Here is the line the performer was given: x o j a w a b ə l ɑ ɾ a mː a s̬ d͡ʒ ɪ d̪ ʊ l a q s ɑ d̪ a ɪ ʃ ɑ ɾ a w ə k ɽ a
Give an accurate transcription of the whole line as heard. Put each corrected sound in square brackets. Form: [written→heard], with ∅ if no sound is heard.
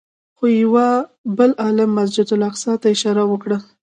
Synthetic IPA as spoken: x o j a w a b ə l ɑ [ɾ→l] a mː a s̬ d͡ʒ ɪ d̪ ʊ l a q s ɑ [d̪→t̪] a ɪ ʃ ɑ ɾ a w ə k ɽ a

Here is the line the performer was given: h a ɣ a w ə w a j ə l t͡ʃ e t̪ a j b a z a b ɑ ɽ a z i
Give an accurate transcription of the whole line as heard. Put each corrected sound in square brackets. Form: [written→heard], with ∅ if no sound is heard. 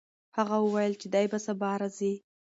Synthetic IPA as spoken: h a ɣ a w ə w a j ə l t͡ʃ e [t̪→d̪] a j b a [z→s] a b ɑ [ɽ→ɾ] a z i

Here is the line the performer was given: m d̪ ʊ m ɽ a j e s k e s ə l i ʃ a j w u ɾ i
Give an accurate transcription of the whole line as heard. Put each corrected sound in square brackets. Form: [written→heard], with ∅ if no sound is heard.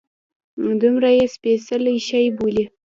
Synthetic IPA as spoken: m d̪ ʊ m [ɽ→ɾ] a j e s [k→p] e s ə l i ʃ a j [w→b] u [ɾ→l] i

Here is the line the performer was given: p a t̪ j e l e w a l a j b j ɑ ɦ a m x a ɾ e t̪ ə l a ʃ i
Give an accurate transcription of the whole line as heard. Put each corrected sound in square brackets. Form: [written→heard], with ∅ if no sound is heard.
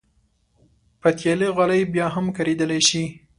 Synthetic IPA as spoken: p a t̪ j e l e [w→ɣ] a l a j b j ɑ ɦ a m [x→k] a ɾ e [t̪→d̪] ə l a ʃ i

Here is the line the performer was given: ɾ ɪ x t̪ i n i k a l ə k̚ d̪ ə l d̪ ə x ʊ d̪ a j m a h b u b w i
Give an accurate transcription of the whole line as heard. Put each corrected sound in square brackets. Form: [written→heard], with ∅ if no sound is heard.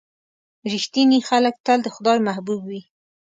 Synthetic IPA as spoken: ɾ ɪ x t̪ i n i [k→x] a l ə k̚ [d̪→t̪] ə l d̪ ə x ʊ d̪ [a→ɑ] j m a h b u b w i

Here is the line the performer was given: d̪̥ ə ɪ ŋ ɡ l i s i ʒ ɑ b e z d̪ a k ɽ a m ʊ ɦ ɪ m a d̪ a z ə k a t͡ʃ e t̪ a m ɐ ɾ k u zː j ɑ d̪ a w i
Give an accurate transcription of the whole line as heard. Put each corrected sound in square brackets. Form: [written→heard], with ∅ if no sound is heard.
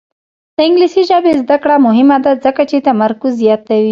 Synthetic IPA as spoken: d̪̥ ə ɪ ŋ ɡ l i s i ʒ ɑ b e z d̪ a k ɽ a m ʊ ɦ ɪ m a d̪ a z ə k a t͡ʃ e t̪ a m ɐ ɾ k u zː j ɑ [d̪→t̪] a w i

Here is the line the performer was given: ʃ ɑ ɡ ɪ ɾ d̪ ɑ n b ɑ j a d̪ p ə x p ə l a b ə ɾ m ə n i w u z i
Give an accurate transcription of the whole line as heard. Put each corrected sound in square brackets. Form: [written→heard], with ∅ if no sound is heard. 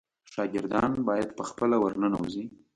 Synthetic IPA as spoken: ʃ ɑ ɡ ɪ ɾ d̪ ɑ n b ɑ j a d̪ p ə x p ə l a [b→w] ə ɾ [m→n] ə n [i→a] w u z i

